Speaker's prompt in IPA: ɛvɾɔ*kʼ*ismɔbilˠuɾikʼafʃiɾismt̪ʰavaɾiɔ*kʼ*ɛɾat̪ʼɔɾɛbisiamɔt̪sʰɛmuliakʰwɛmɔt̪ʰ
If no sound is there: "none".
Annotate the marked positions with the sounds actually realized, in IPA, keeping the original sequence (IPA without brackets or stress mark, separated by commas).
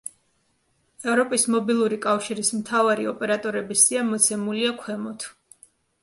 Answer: pʼ, pʼ